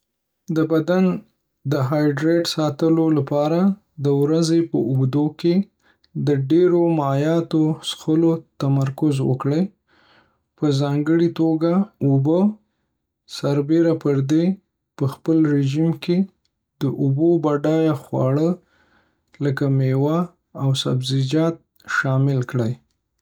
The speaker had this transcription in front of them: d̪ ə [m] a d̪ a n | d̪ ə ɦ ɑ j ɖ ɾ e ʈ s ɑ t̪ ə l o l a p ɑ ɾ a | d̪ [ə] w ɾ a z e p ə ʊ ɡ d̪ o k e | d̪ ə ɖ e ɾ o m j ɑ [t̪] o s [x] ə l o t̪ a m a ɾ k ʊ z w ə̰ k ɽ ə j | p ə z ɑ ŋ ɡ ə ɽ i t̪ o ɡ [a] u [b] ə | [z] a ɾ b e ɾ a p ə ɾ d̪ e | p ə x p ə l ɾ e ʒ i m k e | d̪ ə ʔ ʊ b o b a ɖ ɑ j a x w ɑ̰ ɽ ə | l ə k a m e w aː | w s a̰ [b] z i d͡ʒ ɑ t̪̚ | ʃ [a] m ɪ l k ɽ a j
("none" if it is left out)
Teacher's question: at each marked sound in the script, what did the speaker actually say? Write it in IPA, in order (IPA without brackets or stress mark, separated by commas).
b, ə, t̪, x, a, b, s, b, ɑ